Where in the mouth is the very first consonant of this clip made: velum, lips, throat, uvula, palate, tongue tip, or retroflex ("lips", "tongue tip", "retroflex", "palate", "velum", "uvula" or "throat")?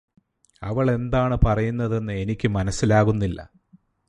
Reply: lips